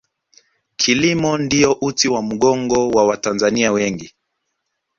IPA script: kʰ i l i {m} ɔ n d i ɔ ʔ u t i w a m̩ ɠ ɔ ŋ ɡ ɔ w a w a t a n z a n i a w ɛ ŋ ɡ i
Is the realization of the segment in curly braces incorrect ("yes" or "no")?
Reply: no